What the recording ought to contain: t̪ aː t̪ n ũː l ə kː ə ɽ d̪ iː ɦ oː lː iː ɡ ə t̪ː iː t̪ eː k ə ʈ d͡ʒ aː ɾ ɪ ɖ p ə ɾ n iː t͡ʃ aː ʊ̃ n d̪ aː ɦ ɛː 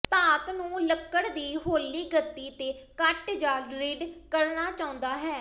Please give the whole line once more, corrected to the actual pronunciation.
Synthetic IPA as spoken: t̪ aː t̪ n ũː l ə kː ə ɽ d̪ iː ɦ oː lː iː ɡ ə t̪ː iː t̪ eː k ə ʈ d͡ʒ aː ɾ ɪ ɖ k ə ɾ n aː t͡ʃ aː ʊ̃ n d̪ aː ɦ ɛː